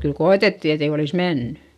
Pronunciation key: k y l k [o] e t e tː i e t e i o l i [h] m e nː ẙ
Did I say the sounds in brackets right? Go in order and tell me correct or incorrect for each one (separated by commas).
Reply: correct, incorrect